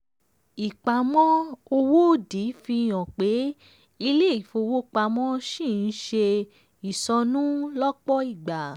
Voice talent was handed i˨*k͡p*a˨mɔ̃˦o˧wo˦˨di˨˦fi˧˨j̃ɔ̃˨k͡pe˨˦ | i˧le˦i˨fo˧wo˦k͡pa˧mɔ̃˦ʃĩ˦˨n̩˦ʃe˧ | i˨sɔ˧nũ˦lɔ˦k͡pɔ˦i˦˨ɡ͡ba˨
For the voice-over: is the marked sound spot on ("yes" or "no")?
yes